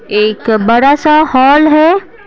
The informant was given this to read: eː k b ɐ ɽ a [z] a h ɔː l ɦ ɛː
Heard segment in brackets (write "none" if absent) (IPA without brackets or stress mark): s